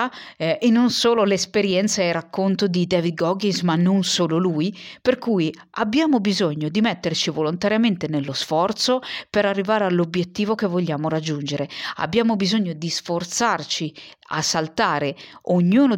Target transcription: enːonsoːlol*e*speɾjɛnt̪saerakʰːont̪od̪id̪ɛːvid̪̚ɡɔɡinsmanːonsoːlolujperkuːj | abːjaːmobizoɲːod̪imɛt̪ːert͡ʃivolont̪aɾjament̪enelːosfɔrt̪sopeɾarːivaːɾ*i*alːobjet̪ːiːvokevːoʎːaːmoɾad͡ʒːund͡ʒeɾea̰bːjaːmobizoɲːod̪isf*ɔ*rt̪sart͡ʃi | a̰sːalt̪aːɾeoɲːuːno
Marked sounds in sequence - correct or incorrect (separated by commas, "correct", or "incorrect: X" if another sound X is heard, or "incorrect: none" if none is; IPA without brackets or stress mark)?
correct, incorrect: e, incorrect: o